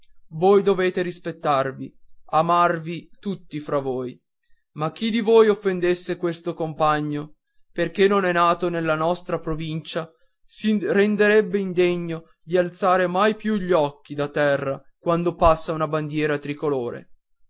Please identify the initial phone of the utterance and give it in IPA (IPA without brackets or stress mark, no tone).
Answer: v